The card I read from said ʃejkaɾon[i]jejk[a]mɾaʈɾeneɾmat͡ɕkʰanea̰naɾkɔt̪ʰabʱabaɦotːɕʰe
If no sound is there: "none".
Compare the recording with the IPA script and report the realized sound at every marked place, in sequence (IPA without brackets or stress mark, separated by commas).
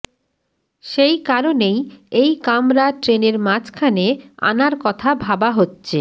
e, a